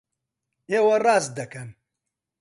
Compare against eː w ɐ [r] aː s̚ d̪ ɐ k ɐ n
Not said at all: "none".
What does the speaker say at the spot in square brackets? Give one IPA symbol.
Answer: r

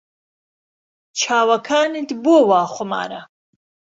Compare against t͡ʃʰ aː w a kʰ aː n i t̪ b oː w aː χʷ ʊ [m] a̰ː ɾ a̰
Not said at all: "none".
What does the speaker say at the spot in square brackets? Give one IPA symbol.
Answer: m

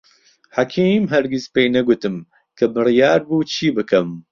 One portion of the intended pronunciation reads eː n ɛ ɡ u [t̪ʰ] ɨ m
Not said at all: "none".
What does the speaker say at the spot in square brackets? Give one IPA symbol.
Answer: t̪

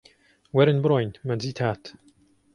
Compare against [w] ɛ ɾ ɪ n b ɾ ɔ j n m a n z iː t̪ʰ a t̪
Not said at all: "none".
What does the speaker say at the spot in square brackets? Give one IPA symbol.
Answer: w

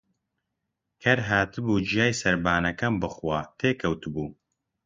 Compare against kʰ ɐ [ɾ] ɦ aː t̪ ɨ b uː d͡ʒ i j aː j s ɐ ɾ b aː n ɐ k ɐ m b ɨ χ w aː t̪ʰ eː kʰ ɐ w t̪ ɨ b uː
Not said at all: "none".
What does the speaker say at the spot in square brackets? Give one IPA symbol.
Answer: ɾ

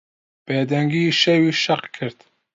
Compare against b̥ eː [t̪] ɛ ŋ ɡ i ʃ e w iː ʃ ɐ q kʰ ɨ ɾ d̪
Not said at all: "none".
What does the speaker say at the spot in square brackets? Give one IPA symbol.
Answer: d̪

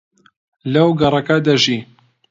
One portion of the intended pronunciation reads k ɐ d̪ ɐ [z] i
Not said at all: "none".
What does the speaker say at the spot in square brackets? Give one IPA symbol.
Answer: ʒ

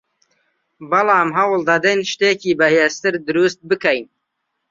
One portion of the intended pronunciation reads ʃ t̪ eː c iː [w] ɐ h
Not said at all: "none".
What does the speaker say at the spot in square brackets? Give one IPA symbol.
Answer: b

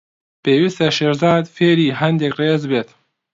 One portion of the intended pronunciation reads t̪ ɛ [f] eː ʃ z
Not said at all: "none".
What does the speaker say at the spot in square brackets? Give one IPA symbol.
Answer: ʃ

